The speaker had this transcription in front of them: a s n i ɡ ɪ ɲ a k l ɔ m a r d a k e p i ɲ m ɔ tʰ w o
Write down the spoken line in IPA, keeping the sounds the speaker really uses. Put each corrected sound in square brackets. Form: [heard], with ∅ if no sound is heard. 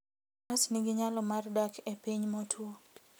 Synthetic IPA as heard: a s n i ɡ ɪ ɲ a [∅] l ɔ m a r d a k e p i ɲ m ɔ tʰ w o